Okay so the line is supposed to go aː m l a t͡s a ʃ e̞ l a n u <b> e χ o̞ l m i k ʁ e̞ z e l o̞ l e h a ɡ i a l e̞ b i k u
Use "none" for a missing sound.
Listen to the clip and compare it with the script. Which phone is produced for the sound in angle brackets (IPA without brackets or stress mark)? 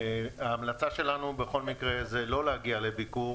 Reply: b